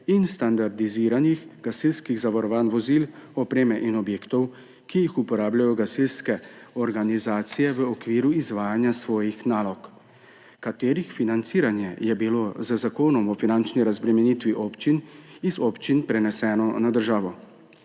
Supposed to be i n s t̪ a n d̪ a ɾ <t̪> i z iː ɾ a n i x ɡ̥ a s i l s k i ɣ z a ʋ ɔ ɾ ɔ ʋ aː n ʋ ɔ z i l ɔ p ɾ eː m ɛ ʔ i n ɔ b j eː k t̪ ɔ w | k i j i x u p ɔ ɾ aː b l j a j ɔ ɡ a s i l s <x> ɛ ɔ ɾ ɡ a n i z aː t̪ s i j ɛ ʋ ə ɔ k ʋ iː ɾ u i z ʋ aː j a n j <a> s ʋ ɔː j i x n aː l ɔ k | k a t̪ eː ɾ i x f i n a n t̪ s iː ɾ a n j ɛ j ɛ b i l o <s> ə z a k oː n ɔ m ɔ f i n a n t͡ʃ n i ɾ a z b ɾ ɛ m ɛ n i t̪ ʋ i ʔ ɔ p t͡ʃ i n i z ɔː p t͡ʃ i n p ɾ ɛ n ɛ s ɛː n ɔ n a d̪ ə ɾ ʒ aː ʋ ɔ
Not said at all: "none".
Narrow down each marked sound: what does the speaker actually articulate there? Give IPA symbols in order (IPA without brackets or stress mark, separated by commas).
d̪, k, a, z